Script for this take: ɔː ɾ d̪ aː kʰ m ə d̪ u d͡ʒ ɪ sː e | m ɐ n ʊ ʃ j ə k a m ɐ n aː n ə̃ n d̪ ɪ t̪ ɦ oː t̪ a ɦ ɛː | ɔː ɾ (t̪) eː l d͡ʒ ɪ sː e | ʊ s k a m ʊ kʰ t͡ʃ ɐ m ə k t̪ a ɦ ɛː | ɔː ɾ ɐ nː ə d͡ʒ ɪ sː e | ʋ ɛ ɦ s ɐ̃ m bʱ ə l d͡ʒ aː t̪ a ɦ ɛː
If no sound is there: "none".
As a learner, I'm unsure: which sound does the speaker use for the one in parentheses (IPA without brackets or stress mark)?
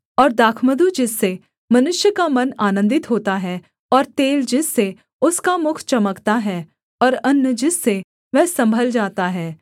t̪